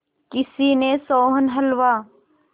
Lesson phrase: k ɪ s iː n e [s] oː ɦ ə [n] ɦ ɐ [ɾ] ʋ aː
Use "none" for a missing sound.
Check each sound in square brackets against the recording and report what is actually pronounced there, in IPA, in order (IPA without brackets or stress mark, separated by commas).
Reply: s, n, l